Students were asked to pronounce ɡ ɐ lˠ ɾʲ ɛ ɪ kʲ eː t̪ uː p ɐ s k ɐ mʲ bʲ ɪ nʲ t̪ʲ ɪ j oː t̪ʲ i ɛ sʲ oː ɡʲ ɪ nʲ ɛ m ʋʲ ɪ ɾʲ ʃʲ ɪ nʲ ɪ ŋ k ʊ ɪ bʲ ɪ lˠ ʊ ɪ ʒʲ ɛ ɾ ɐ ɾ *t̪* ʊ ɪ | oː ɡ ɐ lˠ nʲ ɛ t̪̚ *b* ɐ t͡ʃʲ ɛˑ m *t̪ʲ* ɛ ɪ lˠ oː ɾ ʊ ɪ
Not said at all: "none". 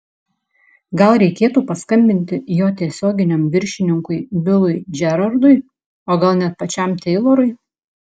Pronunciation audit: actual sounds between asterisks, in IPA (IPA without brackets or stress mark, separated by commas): d̪, p, t̪ʲ